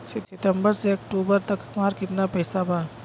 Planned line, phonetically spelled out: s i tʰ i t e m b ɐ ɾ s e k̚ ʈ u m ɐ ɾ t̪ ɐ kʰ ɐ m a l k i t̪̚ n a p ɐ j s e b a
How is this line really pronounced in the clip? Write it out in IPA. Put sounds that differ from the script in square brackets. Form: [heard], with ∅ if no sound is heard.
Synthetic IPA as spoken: s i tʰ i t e m b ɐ ɾ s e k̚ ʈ u [b] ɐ ɾ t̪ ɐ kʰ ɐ m a [ɾ] k i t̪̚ n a p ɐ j s [a] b a